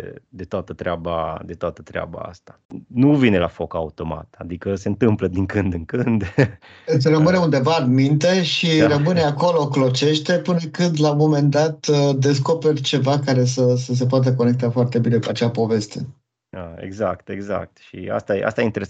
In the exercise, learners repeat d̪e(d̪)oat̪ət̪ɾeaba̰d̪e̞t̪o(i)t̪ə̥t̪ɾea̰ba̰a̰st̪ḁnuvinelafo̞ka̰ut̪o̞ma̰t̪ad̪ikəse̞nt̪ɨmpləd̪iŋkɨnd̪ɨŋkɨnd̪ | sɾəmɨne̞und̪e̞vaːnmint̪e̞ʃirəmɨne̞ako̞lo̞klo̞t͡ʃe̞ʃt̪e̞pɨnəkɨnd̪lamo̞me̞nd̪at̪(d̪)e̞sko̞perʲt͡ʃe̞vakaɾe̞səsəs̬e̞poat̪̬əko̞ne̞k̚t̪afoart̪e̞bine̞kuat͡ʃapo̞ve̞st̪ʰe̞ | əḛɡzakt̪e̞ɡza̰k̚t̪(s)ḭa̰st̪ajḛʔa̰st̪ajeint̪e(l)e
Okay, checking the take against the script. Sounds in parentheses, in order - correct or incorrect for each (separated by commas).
incorrect, incorrect, correct, incorrect, incorrect